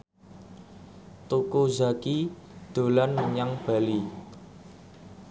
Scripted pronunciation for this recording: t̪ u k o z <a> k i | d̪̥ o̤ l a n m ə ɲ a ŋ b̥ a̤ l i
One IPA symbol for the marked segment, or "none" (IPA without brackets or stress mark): a